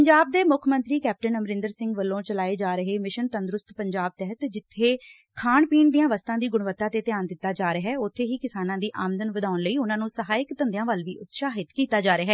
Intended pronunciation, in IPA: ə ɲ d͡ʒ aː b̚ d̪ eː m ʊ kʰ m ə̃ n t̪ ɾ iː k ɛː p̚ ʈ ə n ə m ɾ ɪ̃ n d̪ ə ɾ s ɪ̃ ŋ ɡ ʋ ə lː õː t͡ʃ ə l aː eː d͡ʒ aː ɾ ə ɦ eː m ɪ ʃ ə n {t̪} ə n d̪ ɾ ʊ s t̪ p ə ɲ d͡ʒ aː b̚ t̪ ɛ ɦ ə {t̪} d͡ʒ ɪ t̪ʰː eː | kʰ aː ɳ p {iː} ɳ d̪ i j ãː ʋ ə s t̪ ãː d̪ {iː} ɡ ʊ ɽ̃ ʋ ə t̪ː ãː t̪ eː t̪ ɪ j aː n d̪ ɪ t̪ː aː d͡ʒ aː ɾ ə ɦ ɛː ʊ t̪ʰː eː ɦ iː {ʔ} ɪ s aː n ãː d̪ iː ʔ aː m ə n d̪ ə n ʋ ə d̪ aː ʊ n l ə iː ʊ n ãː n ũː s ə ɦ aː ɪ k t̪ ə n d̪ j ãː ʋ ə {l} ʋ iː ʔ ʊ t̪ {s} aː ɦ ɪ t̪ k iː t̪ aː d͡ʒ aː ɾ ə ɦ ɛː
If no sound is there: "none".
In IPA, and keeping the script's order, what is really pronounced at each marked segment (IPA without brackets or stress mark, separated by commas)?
t̪, t̪, iː, iː, k, l, ʃ